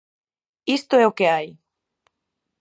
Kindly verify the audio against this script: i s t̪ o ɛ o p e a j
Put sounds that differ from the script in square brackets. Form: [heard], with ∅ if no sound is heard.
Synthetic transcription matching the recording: i s t̪ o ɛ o [k] e a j